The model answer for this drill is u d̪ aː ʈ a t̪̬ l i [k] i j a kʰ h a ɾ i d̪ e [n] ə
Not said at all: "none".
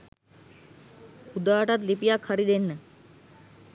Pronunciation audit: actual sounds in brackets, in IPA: p, nː

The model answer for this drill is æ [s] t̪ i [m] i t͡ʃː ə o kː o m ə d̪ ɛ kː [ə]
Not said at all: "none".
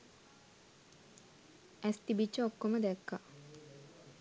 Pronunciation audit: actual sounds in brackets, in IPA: s, b, a

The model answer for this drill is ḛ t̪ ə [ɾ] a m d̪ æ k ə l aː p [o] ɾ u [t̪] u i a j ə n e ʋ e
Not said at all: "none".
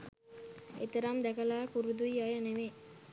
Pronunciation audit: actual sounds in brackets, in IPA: ɾ, u, d̪

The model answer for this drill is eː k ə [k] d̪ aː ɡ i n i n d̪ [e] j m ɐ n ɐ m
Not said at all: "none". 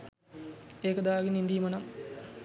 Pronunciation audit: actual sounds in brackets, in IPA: none, i

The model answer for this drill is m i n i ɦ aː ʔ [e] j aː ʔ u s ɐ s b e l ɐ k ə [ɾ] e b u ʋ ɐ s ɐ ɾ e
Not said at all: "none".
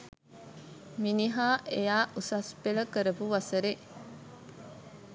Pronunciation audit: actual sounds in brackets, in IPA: e, ɾ

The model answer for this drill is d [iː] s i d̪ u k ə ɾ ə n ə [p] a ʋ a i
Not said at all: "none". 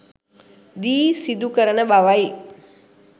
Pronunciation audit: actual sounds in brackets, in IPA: iː, b

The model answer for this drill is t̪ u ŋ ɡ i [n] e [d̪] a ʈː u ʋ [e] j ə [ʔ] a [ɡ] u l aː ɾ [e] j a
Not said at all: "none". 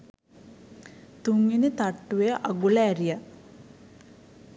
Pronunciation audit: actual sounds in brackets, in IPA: n, t̪, e, ʔ, ɡ, i

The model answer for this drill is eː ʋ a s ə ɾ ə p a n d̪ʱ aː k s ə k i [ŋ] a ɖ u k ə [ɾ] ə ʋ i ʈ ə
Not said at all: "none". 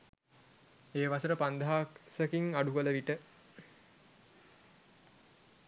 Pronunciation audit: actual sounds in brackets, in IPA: ŋ, l

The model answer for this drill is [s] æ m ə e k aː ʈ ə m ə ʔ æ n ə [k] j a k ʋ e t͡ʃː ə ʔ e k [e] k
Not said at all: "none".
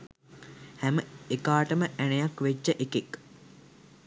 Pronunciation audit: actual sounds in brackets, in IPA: h, none, e

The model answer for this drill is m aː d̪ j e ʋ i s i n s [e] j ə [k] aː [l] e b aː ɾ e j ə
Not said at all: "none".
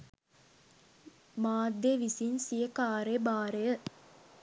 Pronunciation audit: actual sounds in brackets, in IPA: i, k, ɾ

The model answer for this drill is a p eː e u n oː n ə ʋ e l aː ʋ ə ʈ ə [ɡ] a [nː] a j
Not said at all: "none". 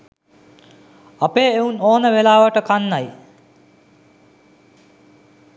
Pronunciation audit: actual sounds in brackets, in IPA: k, nː

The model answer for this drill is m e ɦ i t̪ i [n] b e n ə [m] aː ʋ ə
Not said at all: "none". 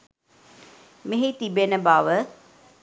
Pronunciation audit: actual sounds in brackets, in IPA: none, b

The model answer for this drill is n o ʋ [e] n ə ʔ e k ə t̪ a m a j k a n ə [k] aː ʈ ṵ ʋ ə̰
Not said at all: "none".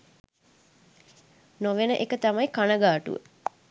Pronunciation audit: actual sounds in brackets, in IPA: e, ɡ

